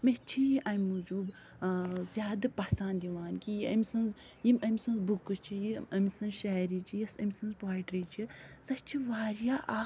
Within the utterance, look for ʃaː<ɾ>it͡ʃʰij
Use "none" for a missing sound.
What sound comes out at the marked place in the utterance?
ɾ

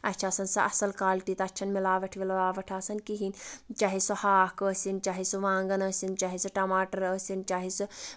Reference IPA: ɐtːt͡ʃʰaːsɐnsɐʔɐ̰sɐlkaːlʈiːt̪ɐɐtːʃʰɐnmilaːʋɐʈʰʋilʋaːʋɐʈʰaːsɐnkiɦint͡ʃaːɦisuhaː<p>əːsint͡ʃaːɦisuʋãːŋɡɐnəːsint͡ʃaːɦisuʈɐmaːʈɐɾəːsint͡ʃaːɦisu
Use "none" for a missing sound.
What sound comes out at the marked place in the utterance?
k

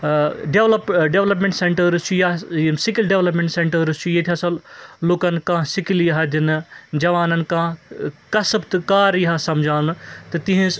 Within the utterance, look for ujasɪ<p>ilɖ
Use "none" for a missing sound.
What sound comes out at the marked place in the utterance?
k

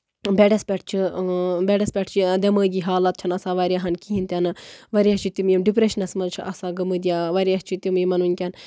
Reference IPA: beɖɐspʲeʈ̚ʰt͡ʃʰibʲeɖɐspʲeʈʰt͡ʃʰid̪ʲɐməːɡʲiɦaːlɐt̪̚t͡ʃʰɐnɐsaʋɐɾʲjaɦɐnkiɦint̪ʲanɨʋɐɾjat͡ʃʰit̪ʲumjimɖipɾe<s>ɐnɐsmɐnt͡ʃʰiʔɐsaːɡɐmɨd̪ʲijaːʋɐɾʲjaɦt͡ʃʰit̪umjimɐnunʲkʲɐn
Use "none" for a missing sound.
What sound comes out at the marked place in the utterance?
ʃ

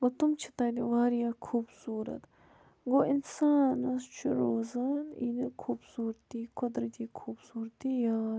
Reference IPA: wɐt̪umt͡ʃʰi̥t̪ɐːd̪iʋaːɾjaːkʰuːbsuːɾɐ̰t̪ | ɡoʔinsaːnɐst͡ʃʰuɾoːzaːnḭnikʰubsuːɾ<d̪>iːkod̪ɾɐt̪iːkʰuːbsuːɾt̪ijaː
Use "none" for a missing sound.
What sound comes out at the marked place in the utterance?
t̪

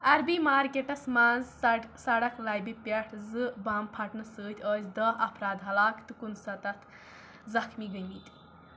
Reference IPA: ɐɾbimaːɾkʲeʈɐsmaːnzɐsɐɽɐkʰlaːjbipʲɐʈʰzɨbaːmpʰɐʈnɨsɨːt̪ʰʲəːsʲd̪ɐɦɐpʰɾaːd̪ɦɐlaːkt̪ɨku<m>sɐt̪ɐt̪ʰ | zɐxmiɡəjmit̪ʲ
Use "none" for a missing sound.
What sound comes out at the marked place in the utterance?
n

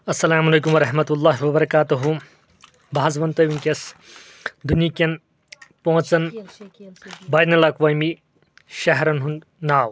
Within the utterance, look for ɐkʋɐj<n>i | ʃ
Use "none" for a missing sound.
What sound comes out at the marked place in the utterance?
m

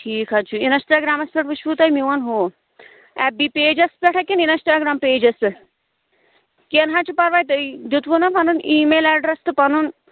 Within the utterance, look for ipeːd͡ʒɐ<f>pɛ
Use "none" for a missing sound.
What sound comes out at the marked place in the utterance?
s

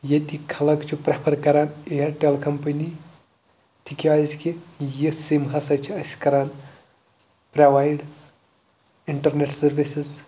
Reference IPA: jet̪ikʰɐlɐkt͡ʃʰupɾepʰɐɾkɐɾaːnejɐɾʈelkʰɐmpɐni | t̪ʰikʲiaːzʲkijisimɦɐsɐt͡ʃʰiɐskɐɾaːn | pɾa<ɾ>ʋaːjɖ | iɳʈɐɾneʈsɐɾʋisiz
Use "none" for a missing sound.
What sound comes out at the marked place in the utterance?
none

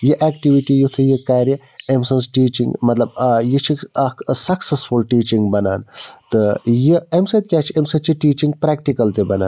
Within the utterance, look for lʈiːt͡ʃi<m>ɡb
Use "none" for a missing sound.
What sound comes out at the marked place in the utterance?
ŋ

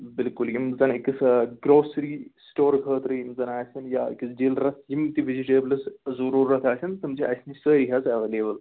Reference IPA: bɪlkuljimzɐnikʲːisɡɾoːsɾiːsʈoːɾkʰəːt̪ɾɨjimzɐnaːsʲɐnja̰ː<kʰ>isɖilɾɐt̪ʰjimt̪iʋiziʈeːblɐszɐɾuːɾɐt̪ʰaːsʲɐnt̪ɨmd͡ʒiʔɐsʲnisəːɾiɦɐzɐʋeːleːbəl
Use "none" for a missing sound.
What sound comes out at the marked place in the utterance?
k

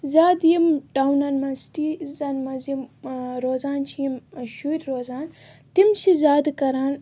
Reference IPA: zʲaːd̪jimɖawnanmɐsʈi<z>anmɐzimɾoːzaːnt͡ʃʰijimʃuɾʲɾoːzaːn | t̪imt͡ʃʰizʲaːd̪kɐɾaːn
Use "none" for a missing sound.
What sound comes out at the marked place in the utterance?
z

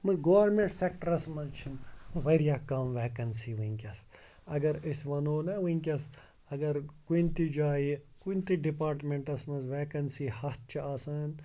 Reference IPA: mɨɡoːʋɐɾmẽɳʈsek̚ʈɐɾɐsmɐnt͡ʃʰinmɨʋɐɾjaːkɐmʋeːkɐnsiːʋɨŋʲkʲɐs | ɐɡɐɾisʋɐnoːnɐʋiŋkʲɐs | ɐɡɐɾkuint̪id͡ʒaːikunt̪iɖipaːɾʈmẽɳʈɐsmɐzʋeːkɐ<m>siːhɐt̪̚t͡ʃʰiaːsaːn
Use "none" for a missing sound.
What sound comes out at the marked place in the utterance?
n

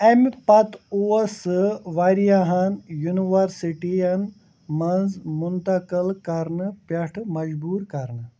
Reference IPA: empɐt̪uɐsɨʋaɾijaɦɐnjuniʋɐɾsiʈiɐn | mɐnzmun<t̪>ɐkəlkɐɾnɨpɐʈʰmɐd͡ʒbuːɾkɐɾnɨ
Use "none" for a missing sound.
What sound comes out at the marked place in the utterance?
t̪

